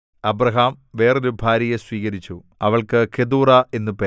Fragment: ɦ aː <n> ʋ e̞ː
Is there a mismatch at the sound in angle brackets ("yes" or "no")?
yes